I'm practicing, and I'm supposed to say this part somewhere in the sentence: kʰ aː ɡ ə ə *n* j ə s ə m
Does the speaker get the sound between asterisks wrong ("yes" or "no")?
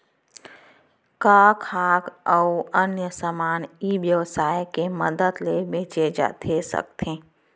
no